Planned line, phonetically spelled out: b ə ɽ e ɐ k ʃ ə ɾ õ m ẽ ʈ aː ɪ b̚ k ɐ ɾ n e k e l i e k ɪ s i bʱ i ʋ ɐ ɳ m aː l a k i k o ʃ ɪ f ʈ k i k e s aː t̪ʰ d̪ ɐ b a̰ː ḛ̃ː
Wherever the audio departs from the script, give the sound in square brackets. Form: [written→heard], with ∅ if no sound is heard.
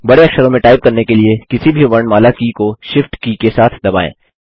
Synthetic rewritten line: b [ə→ɐ] ɽ e ɐ k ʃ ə ɾ õ m ẽ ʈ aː ɪ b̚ k ɐ ɾ n e k e l i e k ɪ s i bʱ i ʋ ɐ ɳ m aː l a k i k o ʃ ɪ f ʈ k i k e s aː t̪ʰ d̪ ɐ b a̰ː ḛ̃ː

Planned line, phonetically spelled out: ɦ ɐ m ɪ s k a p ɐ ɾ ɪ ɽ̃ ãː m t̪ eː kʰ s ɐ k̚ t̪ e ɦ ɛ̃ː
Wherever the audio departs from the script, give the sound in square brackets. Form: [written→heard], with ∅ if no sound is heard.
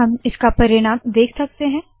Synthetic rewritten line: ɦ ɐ m ɪ s k a p ɐ ɾ ɪ ɽ̃ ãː m [t̪→d̪] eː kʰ s ɐ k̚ t̪ e ɦ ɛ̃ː

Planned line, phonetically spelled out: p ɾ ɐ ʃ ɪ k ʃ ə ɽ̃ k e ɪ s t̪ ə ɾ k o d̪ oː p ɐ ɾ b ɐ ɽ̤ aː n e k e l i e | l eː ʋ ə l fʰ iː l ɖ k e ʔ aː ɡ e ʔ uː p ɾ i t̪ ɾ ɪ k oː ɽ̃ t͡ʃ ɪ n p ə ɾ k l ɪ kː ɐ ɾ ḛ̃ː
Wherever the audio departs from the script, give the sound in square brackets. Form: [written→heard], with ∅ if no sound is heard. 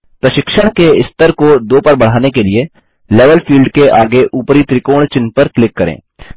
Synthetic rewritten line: p ɾ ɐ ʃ ɪ k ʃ ə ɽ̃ k e ɪ s t̪ ə ɾ k o d̪ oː p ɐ ɾ b ɐ ɽ̤ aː n e k e l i e | l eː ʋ ə l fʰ iː l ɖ k e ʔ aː ɡ e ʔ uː p ɾ i t̪ ɾ ɪ k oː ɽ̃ t͡ʃ ɪ n p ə ɾ k l ɪ kː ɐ ɾ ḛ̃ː

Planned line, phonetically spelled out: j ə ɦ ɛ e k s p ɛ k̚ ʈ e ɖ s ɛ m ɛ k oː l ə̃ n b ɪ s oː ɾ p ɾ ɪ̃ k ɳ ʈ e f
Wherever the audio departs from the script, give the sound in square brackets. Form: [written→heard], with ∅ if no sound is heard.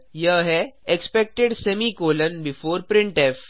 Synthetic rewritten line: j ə ɦ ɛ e k s p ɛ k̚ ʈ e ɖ s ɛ m [ɛ→i] k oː l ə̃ n b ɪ [s→f] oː ɾ p ɾ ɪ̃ [k→∅] ɳ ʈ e f

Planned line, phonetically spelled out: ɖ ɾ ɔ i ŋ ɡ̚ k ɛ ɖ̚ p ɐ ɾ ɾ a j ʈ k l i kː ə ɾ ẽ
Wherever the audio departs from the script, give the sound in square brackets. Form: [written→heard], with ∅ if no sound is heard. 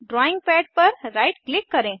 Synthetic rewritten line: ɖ ɾ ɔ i ŋ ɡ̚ [k→p] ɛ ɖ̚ p [ɐ→ə] ɾ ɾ a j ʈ k l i kː ə ɾ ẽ

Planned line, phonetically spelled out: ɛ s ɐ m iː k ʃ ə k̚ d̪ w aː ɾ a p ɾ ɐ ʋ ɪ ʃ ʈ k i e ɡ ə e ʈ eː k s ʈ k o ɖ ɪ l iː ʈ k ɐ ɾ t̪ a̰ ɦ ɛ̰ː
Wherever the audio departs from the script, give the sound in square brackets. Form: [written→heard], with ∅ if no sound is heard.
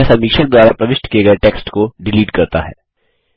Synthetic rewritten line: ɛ s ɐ m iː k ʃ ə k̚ d̪ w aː ɾ a p ɾ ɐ ʋ ɪ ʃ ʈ k i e ɡ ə e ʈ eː k s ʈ k o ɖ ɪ l iː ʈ k ɐ ɾ t̪ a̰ ɦ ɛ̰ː

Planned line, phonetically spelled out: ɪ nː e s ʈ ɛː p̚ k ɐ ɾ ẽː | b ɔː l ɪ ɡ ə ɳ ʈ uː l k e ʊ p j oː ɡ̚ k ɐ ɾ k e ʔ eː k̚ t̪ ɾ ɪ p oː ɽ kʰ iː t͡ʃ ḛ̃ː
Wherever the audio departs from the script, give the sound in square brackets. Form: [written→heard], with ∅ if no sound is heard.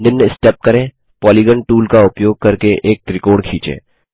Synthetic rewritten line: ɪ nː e s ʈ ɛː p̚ k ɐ ɾ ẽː | [b→p] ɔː l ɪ ɡ ə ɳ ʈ uː l k [e→a] ʊ p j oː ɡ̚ k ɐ ɾ k e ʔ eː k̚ t̪ ɾ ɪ [p→k] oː ɽ kʰ iː t͡ʃ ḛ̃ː

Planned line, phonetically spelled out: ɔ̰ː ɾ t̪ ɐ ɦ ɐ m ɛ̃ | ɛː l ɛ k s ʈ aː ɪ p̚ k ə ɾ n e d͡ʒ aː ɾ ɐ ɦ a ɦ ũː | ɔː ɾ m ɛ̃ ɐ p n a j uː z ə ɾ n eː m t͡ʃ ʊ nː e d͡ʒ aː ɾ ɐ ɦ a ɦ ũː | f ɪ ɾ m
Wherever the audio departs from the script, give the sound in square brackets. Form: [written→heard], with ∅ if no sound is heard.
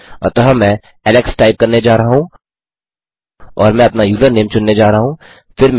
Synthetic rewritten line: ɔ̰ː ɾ t̪ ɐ ɦ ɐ m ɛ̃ | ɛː l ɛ k s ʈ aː ɪ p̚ k [ə→ɐ] ɾ n e d͡ʒ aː ɾ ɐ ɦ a ɦ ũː | ɔː ɾ m ɛ̃ ɐ p n a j uː z ə ɾ n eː m t͡ʃ ʊ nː e d͡ʒ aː ɾ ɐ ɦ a ɦ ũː | f ɪ ɾ m

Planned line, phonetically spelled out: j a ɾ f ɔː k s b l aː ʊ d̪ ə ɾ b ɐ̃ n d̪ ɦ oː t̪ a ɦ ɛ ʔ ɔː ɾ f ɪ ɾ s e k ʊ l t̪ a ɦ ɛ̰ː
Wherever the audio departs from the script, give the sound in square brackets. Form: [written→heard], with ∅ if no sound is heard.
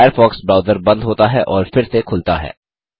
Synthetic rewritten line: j [a→ə] ɾ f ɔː k s b [l→ɾ] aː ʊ d̪ ə ɾ b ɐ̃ n d̪ ɦ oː t̪ a ɦ ɛ ʔ ɔː ɾ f ɪ ɾ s e [k→kʰ] ʊ l t̪ a ɦ ɛ̰ː

